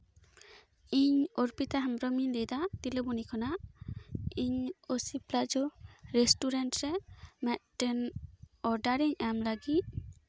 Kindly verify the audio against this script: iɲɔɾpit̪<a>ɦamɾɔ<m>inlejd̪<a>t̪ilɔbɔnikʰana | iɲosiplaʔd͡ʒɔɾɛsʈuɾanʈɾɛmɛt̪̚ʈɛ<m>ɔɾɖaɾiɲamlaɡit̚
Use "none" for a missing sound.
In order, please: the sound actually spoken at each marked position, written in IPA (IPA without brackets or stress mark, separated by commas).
a, m, a, n